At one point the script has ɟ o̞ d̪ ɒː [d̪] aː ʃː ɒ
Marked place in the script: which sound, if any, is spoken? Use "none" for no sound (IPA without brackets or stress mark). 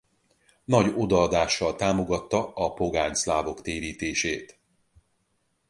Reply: d̪